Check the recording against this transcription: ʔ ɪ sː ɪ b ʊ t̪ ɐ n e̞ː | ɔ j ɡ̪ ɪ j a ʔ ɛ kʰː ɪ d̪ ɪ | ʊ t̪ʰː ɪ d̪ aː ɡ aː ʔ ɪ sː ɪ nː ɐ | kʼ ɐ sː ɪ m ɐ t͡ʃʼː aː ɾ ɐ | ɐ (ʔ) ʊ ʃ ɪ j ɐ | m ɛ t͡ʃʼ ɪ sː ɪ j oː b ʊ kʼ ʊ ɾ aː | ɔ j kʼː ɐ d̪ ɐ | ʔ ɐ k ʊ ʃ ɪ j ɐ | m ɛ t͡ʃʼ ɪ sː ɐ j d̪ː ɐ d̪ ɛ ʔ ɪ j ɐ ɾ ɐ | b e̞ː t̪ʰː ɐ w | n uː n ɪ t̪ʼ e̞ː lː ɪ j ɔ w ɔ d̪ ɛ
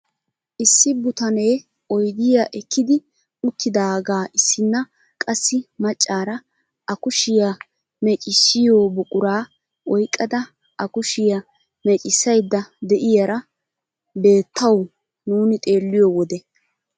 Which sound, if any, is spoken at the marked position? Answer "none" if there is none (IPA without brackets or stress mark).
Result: k